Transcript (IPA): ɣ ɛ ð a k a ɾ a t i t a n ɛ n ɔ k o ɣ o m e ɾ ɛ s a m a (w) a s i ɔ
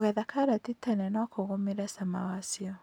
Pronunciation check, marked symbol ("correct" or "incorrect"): correct